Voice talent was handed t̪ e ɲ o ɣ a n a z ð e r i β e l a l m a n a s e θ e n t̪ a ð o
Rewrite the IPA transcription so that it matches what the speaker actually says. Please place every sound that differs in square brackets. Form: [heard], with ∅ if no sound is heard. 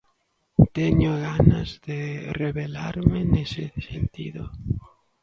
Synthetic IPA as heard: t̪ e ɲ o ɣ a n a z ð e r [e] β e l a [ɾ] m [e] n [e] s e [s] e n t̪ [i] ð o